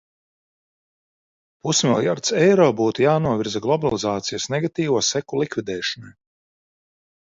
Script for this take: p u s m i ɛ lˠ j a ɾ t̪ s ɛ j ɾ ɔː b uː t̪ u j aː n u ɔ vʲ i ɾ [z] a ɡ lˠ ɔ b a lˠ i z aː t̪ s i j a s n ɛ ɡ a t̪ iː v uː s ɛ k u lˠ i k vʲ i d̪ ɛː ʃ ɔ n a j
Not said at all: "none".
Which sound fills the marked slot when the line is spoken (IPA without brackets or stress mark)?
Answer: z